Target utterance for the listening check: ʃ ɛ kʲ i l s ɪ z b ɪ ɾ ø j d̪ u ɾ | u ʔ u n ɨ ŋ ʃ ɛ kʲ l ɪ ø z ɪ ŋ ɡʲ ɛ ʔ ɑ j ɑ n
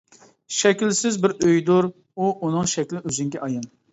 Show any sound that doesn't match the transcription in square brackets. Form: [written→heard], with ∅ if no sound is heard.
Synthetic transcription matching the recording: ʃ ɛ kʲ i l s ɪ z b ɪ ɾ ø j d̪ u ɾ | u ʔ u n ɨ ŋ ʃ ɛ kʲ l ɪ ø z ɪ ŋ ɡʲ ɛ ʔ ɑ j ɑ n